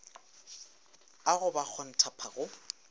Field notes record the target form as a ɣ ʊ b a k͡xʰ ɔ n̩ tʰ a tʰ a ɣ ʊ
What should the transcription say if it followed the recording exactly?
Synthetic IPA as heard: a ɣ ʊ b a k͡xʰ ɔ n̩ tʰ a pʰ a ɣ ʊ

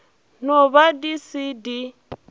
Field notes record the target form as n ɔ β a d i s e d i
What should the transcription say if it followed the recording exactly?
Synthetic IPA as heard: n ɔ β a d i s i d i

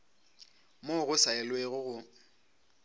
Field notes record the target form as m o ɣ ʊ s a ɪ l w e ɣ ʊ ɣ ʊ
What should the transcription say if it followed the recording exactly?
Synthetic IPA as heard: m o ɣ ʊ s a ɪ l w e ɣ ʊ ɣ ʊ

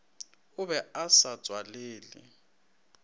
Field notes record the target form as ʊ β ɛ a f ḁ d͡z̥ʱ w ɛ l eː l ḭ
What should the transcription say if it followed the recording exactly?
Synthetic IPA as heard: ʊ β ɛ a s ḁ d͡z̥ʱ w a l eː l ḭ

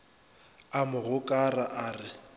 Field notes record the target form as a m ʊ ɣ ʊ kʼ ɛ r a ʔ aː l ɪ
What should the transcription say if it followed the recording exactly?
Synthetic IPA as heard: a m ʊ ɣ ʊ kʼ a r a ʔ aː r ɪ

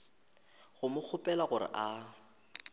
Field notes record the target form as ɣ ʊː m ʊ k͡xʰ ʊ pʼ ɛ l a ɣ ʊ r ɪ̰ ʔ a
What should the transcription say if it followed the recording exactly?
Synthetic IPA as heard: ɣ ʊ m ʊ k͡xʰ ʊ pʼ ɛ l a ɣ ʊ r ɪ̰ ʔ a

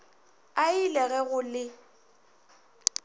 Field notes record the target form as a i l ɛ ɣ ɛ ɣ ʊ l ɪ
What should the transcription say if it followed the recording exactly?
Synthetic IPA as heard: a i l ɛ ɣ ɛ ɣ ʊ l ɪ

